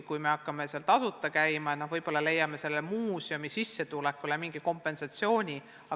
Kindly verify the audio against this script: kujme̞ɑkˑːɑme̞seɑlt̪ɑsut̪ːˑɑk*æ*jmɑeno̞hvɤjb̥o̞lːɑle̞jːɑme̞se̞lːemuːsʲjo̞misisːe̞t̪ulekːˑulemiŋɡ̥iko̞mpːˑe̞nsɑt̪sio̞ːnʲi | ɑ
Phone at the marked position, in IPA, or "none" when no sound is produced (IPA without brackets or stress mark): æ